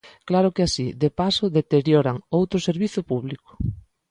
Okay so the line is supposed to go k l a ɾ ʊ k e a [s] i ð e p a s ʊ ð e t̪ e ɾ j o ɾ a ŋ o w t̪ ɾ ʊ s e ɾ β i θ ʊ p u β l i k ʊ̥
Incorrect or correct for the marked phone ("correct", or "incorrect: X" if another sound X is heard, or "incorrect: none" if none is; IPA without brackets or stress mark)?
correct